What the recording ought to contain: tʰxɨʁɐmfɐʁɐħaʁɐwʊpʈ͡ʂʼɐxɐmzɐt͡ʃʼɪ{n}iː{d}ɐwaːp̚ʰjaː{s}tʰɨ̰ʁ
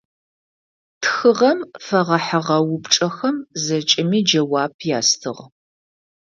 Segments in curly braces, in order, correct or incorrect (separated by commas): incorrect, incorrect, correct